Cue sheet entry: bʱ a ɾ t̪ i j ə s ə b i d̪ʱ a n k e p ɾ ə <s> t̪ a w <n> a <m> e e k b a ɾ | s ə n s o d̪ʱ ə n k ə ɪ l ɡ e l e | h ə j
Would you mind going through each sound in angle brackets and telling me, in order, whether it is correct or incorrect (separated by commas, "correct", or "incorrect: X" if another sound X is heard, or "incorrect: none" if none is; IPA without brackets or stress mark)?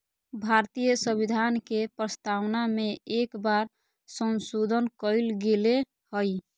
correct, correct, correct